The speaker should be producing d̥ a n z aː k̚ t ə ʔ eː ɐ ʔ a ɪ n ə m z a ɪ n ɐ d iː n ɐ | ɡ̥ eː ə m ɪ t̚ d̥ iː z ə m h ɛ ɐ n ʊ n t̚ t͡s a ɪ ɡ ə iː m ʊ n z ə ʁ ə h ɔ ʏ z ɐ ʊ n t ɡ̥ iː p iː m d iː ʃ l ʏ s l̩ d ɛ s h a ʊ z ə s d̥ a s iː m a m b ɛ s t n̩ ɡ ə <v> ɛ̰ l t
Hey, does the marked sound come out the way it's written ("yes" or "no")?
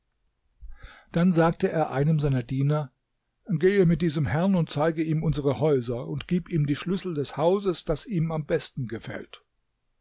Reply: no